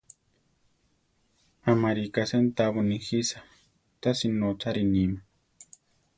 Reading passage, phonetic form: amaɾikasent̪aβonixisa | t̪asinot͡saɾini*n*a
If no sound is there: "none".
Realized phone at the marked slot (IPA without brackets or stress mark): m